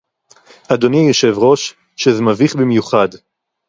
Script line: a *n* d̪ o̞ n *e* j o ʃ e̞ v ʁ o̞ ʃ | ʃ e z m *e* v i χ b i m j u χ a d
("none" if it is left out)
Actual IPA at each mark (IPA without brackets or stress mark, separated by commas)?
none, i, a